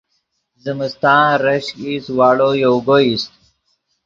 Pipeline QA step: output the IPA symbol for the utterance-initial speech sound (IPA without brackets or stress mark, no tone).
z